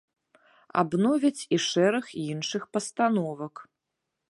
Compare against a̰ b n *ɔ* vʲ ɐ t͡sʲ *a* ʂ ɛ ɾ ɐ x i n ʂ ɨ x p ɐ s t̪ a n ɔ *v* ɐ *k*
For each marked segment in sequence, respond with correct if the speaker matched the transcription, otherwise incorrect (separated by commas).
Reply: correct, incorrect, correct, correct